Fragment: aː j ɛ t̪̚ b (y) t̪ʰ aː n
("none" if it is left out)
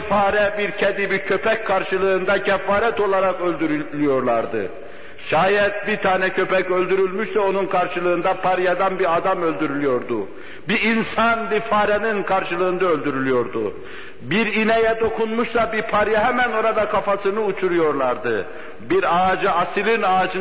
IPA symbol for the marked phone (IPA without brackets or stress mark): i